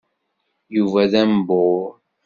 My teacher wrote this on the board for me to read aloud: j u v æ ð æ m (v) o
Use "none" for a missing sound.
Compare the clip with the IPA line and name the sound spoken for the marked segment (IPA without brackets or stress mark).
b